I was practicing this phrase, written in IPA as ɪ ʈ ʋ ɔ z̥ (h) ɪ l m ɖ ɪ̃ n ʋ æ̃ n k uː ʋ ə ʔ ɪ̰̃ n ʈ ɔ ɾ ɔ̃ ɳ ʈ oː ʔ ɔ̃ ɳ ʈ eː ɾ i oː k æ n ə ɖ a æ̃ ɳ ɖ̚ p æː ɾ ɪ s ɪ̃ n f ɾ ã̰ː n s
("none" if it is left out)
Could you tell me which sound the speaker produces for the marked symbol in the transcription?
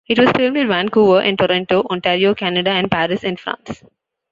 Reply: f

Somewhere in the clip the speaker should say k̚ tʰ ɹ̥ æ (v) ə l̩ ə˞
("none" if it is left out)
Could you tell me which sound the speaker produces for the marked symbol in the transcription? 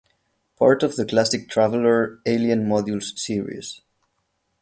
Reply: v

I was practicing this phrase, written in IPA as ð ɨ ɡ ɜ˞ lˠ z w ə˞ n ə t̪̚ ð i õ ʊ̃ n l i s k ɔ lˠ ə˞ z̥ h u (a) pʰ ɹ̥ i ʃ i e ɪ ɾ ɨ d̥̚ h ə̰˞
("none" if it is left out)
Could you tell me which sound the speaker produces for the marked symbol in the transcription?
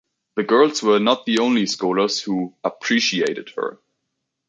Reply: ə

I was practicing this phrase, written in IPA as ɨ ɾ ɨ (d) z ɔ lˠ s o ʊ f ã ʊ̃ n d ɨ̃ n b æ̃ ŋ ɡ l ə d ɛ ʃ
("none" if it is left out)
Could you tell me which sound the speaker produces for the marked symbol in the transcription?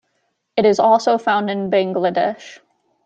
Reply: none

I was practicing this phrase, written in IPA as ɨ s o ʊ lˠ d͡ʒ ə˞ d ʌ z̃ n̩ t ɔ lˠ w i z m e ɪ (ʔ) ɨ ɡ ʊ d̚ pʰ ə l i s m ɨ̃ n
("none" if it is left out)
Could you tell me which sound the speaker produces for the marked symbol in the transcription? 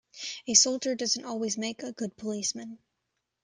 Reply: k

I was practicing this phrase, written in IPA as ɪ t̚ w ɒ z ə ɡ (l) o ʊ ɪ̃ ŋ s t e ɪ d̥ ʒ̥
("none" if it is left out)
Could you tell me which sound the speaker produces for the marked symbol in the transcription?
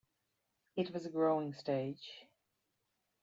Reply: ɹ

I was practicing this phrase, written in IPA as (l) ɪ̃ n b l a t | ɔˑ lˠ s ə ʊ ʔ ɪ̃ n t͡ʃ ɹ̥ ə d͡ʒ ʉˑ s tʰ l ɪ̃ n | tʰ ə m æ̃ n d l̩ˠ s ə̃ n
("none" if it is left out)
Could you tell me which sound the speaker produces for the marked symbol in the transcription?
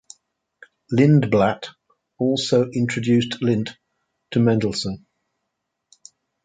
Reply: l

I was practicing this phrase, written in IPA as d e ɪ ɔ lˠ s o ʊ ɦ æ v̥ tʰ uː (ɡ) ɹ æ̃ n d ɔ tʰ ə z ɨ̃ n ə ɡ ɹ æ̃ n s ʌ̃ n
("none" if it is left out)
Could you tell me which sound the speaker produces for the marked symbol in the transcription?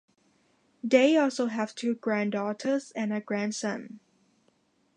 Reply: ɡ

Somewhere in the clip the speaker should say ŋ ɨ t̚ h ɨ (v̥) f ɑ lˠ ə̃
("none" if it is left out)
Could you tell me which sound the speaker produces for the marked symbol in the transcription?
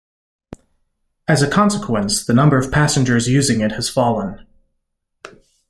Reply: z̥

